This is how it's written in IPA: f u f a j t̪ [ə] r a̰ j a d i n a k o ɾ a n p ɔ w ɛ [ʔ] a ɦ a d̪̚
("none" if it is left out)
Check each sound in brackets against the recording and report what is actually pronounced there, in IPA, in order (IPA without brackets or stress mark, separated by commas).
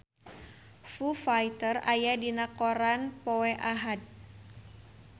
ə, ʔ